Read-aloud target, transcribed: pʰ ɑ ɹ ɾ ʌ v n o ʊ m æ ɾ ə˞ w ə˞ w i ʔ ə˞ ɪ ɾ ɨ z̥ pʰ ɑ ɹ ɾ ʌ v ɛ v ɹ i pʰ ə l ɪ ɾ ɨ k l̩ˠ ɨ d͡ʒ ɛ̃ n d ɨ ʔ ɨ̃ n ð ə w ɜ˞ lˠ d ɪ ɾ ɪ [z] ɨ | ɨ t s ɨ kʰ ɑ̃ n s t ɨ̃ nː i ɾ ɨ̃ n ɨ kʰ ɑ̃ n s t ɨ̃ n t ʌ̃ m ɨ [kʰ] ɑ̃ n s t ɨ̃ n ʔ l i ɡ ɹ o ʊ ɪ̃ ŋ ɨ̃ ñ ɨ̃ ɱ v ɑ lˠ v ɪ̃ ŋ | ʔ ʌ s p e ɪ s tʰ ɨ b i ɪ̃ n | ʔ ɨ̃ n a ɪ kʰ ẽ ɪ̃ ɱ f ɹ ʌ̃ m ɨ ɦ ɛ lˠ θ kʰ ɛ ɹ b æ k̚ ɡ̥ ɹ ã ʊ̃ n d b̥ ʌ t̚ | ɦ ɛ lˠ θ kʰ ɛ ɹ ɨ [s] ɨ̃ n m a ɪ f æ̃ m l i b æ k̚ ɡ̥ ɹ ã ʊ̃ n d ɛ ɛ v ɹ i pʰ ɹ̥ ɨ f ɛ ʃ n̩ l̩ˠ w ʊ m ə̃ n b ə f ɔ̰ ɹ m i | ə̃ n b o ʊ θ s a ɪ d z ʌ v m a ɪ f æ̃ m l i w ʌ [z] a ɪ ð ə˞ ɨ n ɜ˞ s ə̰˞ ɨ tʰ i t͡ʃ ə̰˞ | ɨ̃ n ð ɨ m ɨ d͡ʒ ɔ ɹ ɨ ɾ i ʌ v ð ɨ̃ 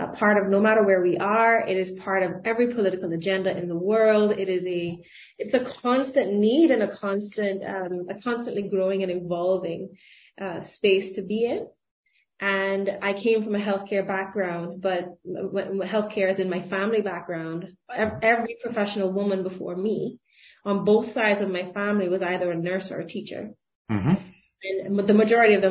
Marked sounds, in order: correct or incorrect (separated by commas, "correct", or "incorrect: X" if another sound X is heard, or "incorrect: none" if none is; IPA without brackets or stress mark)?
correct, correct, incorrect: z, correct